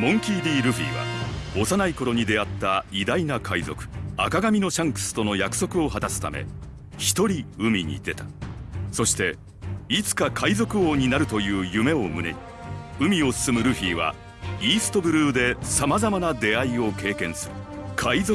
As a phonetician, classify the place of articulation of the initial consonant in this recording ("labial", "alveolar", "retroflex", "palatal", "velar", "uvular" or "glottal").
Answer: labial